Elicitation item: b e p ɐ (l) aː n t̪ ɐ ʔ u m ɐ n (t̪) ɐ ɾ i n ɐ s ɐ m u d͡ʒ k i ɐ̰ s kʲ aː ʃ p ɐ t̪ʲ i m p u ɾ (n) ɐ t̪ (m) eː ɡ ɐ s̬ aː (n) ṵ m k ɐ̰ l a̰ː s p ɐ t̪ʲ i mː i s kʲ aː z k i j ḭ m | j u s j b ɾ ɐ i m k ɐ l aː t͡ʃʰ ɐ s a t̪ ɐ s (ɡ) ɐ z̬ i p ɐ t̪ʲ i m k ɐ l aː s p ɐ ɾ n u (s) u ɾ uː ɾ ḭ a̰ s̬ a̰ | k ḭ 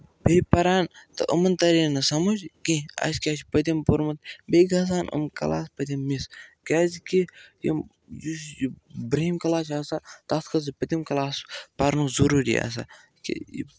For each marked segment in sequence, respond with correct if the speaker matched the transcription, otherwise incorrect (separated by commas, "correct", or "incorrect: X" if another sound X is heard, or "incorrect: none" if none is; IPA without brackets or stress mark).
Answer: incorrect: ɾ, correct, incorrect: m, incorrect: b, correct, incorrect: k, incorrect: z